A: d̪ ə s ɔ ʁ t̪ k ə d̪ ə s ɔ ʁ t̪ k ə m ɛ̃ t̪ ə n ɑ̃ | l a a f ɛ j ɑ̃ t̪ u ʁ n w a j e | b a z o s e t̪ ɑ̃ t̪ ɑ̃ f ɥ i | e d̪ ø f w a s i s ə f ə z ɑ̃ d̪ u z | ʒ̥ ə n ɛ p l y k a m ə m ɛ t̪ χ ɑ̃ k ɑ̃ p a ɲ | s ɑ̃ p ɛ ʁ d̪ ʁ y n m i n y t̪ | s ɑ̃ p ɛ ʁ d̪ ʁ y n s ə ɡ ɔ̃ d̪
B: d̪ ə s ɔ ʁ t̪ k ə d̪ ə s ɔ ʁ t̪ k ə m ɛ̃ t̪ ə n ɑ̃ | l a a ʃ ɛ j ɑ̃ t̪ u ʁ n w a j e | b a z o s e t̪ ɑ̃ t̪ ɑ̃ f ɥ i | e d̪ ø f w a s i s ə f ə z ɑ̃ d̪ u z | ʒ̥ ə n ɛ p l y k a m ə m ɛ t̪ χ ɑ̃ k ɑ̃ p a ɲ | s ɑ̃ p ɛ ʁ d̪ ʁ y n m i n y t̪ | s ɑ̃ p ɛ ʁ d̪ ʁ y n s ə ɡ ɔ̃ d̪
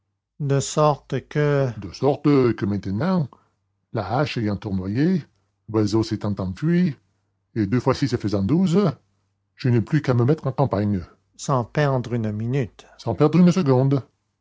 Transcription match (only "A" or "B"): B